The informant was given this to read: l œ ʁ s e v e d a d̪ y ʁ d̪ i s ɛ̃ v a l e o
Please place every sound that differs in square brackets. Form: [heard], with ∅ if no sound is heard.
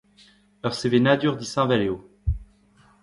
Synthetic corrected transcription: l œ ʁ s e v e [n] a d̪ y ʁ d̪ i s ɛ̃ v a l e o